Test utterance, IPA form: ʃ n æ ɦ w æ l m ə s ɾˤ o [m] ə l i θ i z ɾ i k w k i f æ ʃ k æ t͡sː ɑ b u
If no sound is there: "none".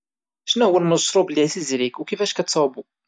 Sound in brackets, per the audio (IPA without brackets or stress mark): b